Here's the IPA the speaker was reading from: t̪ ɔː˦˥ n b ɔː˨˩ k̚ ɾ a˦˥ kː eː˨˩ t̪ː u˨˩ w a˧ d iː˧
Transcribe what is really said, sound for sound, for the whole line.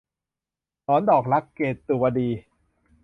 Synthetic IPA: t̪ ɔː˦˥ n d ɔː˨˩ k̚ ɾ a˦˥ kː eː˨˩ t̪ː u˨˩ w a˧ d iː˧